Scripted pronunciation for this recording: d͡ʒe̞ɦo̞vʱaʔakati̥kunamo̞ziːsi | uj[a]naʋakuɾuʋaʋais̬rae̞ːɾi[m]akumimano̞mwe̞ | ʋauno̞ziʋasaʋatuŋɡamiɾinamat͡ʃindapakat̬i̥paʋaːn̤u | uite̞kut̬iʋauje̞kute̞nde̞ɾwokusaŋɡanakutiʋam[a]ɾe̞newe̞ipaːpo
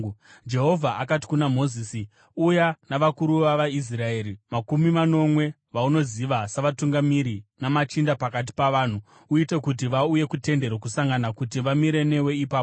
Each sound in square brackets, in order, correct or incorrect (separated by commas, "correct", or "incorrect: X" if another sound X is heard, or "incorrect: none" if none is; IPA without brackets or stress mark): correct, correct, incorrect: i